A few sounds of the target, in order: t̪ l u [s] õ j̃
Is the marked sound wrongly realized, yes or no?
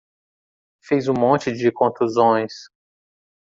yes